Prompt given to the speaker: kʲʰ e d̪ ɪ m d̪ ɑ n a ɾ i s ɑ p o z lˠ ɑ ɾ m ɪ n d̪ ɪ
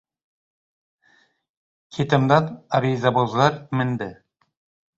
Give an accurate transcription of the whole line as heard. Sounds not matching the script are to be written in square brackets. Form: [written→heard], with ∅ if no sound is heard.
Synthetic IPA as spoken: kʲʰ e [d̪→t̪] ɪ m d̪ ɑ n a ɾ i [s→z] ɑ [p→b] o z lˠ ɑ ɾ m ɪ n d̪ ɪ